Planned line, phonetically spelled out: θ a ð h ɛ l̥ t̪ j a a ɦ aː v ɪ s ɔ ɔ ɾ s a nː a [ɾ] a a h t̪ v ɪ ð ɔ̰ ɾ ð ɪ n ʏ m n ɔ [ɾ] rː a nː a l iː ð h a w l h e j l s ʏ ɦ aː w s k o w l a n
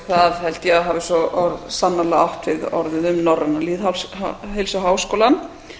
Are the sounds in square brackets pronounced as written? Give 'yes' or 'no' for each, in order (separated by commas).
no, no